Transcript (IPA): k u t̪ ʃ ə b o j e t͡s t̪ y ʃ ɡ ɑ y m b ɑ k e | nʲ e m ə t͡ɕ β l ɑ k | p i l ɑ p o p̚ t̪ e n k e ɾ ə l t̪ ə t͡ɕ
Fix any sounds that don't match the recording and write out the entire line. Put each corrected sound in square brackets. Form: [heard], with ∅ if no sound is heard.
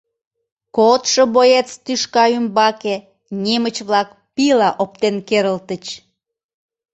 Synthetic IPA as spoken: k [o] t̪ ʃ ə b o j e t͡s t̪ y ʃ [k] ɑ y m b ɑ k e | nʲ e m ə t͡ɕ β l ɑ k | p i l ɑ [ʔ] o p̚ t̪ e n k e ɾ ə l t̪ ə t͡ɕ